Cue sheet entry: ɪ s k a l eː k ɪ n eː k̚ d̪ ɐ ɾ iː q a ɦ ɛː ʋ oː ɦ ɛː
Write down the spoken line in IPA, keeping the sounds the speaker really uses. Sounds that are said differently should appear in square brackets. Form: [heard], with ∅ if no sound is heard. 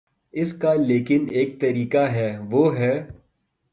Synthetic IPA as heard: ɪ s k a l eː k ɪ n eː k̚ [t̪] ɐ ɾ iː [k] a ɦ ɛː ʋ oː ɦ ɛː